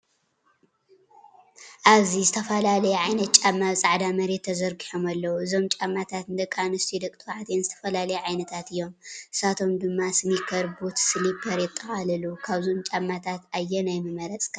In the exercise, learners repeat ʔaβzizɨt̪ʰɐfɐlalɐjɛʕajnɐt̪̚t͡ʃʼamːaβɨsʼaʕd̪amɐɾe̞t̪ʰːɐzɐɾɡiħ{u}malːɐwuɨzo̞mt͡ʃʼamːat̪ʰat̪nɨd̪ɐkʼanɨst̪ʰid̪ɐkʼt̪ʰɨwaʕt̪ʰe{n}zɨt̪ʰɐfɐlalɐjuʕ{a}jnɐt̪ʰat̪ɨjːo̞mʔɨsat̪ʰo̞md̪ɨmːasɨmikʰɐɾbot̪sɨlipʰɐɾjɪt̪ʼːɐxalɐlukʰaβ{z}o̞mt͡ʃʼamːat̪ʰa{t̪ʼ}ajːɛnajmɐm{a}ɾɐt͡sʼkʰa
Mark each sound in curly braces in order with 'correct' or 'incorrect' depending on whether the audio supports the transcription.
incorrect: o, correct, correct, correct, incorrect: t̪, incorrect: ɐ

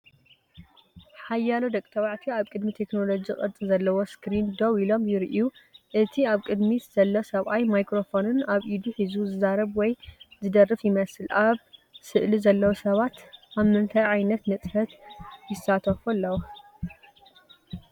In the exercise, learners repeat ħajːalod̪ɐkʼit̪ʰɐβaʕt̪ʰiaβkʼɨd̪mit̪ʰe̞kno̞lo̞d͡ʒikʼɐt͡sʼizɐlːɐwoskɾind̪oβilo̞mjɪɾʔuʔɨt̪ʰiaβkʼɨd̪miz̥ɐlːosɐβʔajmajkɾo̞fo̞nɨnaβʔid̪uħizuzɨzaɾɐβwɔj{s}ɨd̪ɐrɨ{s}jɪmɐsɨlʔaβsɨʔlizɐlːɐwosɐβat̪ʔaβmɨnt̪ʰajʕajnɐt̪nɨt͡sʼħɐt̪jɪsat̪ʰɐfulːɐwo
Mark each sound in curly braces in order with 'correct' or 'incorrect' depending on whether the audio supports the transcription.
incorrect: z, incorrect: f

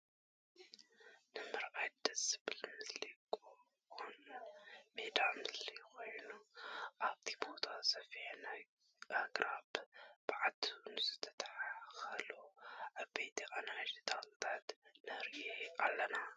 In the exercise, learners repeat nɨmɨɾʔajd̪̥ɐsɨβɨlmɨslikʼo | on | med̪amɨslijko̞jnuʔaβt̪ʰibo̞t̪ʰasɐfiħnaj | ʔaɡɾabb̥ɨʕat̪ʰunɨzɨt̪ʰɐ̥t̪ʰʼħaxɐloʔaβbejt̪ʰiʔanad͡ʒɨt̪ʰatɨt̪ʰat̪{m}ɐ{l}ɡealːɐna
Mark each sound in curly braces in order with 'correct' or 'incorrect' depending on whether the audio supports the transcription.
incorrect: n, incorrect: ɾ

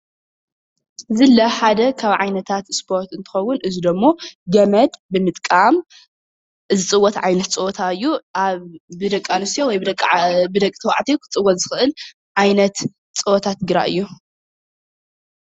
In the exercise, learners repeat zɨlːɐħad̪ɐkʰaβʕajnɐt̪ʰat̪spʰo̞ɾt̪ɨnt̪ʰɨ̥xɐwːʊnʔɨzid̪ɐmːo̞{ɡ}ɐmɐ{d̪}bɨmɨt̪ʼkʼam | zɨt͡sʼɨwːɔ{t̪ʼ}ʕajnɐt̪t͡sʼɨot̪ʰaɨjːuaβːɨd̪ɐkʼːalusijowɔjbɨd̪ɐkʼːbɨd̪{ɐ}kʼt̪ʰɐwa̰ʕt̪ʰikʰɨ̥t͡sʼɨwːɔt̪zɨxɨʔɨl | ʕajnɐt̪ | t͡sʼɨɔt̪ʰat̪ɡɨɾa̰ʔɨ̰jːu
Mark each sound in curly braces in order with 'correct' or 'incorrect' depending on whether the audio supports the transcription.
correct, correct, incorrect: t̪, correct

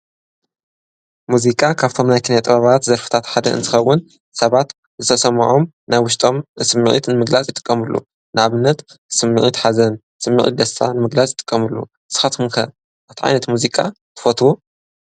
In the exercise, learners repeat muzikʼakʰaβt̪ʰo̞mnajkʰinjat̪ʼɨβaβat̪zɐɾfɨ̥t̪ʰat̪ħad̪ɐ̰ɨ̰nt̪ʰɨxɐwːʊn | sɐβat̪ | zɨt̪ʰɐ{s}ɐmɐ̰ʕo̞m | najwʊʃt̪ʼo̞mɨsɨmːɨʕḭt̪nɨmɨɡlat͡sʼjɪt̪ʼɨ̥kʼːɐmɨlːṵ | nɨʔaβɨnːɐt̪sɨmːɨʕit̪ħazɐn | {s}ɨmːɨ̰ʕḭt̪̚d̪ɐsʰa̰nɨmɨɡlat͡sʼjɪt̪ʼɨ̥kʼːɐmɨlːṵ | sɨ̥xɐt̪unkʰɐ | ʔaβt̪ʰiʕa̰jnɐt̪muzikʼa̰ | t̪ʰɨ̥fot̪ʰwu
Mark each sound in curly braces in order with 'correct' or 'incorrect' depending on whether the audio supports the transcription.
correct, correct

